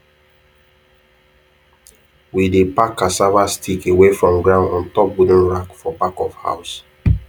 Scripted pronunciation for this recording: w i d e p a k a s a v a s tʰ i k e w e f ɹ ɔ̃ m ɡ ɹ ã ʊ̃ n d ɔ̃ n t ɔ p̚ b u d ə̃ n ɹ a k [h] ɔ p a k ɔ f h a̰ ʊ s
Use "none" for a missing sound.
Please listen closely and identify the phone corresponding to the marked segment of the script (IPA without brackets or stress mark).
f